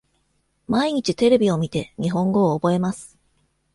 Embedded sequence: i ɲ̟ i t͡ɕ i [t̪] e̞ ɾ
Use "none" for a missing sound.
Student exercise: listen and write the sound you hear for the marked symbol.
t̪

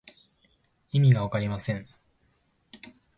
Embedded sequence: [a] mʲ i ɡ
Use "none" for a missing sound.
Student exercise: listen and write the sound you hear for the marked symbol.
i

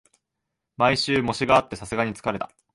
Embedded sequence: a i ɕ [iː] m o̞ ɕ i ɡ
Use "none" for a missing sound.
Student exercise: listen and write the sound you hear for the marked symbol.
ɨː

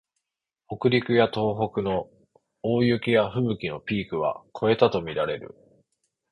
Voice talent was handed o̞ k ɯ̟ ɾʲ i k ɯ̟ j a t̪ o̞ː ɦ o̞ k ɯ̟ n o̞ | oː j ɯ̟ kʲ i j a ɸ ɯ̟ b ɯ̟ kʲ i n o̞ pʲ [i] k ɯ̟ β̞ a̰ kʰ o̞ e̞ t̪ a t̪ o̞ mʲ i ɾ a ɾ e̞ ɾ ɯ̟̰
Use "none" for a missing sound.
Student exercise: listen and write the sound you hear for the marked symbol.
iː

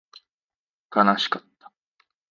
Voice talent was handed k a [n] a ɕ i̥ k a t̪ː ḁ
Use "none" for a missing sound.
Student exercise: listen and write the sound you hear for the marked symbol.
n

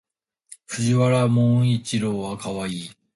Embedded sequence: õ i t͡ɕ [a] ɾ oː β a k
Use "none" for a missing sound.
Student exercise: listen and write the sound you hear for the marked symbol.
i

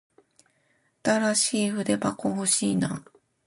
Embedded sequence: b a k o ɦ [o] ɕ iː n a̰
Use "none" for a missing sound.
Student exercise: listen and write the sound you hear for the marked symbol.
o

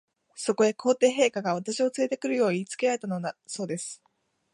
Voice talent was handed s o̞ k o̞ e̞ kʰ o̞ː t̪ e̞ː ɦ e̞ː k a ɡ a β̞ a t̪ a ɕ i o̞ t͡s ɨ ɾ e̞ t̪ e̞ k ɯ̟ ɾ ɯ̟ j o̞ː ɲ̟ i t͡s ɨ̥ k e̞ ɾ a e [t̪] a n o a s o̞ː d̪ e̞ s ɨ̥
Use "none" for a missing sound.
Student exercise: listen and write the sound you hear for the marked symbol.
t̪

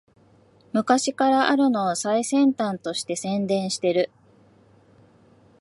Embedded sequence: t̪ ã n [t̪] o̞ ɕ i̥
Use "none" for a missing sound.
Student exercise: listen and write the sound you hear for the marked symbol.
t̪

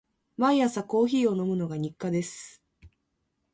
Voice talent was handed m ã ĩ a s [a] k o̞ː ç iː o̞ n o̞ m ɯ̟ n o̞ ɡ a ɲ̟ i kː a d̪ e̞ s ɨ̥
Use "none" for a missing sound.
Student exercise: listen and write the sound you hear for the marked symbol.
a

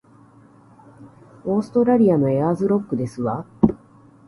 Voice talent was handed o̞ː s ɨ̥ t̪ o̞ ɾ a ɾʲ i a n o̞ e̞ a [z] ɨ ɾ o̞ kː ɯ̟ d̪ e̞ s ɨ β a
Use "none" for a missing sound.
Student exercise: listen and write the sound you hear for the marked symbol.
z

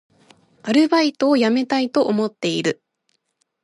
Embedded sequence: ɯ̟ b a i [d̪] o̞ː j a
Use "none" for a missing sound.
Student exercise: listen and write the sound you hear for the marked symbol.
t̪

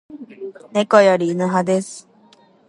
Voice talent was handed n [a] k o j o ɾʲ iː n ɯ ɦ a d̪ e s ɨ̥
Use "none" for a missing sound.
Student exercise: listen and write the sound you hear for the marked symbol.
e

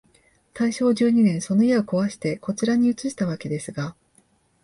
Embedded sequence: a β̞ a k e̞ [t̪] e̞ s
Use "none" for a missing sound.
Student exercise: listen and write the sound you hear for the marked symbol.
d̪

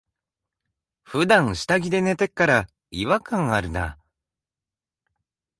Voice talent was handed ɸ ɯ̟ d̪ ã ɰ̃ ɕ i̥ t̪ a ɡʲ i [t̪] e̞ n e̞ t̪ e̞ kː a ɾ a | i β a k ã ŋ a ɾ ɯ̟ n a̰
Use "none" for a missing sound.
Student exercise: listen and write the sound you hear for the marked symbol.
d̪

